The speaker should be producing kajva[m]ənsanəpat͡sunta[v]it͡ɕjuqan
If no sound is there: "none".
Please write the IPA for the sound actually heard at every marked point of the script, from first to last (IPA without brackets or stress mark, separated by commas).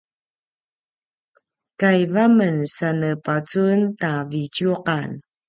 m, v